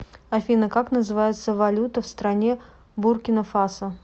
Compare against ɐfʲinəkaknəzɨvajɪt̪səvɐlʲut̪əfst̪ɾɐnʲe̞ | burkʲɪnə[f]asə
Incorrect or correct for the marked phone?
correct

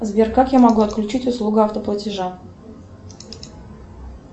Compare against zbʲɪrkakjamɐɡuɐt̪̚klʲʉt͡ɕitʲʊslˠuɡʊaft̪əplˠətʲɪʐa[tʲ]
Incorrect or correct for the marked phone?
incorrect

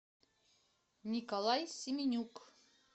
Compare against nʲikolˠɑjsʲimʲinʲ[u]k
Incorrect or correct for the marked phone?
correct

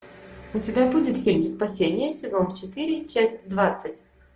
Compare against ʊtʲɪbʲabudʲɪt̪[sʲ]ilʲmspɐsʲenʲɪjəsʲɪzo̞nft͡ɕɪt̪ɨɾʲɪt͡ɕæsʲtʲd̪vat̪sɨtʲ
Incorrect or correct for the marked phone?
incorrect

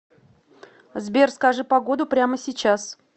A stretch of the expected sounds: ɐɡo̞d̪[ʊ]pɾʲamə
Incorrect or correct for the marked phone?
correct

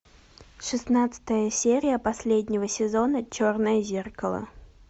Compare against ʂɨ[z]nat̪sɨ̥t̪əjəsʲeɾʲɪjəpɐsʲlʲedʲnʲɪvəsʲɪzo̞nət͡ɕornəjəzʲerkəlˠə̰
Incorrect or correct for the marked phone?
incorrect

